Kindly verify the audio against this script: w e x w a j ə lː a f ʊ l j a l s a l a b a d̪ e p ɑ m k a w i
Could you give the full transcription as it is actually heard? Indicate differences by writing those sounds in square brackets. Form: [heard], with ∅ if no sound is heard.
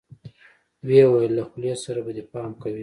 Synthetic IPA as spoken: w e [∅] w a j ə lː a [x] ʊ l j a [∅] s a [ɾ] a b a d̪ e p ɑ m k a w i